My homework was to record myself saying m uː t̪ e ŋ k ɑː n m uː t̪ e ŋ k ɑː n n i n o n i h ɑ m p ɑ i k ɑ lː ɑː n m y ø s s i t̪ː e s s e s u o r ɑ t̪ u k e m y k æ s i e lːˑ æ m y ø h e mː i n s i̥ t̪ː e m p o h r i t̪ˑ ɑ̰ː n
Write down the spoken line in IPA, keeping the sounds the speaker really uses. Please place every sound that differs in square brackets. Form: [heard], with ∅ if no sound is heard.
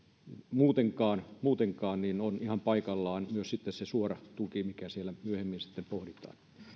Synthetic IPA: m uː t̪ e ŋ k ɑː n m uː t̪ e ŋ k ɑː n n i n o n i h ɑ m p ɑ i k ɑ lː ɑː n m y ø s s i t̪ː e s s e s u o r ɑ t̪ u k [i] m [i] k æ s i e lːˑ æ m y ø h e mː i n s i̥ t̪ː e m p o h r i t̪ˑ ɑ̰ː n